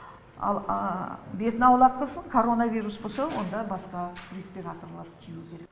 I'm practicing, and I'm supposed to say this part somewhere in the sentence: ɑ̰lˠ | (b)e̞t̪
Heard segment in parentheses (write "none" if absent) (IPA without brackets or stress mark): b